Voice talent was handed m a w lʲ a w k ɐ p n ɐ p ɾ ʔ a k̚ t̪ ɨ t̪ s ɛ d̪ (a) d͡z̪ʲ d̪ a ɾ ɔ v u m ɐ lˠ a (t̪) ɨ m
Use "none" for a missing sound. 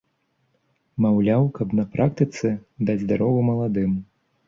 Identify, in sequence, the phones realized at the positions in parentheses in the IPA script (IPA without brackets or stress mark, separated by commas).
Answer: a, d̪